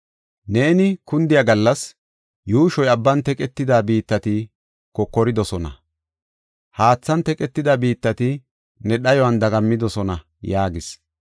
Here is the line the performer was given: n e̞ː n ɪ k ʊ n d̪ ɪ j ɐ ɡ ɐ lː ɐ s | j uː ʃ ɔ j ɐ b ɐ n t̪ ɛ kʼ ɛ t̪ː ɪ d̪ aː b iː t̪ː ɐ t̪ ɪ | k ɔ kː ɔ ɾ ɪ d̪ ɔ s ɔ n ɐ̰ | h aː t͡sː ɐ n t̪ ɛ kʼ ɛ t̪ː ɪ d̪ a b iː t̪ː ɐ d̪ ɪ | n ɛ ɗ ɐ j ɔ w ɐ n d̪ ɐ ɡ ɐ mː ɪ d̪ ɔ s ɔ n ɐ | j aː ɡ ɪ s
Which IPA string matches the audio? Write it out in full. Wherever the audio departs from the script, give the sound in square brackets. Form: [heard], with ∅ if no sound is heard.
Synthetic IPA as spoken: n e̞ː n ɪ k ʊ n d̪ ɪ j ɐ ɡ ɐ lː ɐ s | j uː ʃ ɔ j ɐ [bː] ɐ n t̪ ɛ kʼ ɛ t̪ː ɪ d̪ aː b iː t̪ː ɐ t̪ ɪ | k ɔ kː ɔ ɾ ɪ d̪ ɔ s ɔ n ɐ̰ | h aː t͡sː ɐ n t̪ ɛ kʼ ɛ t̪ː ɪ d̪ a b iː t̪ː ɐ [t̪] ɪ | n ɛ ɗ ɐ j ɔ w ɐ n d̪ ɐ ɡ ɐ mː ɪ d̪ ɔ s ɔ n ɐ | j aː ɡ ɪ s